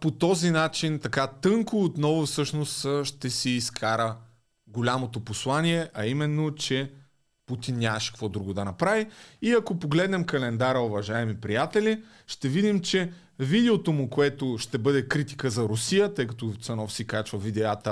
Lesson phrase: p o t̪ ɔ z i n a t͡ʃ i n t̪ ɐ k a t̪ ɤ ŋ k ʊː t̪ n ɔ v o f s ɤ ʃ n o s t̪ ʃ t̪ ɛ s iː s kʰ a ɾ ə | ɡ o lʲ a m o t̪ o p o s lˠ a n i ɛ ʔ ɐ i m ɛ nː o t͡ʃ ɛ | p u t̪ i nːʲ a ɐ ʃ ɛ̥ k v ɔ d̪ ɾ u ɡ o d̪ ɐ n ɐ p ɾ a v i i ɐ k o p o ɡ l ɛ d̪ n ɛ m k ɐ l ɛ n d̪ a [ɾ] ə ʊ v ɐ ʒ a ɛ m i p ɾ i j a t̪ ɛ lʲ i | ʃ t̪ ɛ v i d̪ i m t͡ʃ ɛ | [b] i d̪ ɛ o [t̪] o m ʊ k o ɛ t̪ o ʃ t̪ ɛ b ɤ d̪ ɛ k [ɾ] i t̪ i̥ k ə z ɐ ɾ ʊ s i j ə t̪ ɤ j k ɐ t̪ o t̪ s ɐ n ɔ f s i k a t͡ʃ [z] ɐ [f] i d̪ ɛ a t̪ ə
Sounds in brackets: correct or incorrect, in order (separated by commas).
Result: correct, incorrect, correct, correct, incorrect, incorrect